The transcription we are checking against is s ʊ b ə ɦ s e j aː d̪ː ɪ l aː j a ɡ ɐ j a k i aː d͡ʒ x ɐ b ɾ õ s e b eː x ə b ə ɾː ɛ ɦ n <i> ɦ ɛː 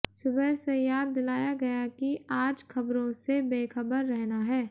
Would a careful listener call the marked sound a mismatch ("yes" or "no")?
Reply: yes